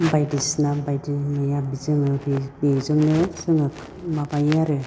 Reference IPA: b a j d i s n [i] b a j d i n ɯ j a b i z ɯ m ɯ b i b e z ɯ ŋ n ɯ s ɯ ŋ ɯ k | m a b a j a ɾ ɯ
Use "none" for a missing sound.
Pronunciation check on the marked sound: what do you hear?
a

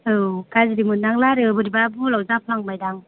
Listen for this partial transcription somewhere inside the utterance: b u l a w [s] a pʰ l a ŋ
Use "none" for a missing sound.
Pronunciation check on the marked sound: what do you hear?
z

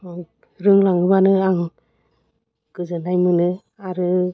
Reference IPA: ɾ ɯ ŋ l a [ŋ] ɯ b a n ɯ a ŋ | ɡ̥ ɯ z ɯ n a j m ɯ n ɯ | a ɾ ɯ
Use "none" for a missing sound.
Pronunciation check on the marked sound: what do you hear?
ŋ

